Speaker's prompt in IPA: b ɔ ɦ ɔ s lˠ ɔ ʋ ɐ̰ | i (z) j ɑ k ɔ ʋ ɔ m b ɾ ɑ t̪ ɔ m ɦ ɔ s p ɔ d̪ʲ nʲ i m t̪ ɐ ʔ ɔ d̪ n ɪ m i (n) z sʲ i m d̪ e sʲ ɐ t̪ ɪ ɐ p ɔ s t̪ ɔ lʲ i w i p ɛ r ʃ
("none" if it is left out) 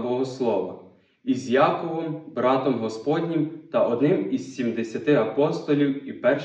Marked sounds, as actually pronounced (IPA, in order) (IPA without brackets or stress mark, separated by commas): z, none